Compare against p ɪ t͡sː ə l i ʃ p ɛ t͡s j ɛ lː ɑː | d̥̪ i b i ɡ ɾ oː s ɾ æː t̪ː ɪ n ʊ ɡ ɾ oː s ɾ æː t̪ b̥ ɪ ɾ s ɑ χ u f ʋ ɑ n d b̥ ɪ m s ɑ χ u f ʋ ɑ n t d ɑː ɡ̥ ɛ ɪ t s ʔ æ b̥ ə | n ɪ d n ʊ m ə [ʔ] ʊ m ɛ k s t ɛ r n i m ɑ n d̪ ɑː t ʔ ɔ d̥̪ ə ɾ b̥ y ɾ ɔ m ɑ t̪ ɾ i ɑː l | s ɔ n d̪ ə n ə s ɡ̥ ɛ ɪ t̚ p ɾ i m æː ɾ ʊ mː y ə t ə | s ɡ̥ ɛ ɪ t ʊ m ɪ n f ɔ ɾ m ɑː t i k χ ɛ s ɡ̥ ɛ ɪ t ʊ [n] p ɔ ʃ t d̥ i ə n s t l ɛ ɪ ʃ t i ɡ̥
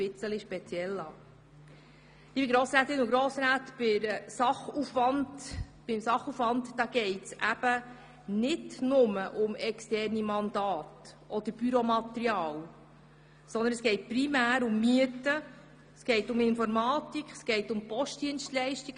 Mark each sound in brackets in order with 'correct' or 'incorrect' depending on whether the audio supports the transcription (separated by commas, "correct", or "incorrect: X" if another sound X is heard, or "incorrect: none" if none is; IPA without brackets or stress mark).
correct, incorrect: m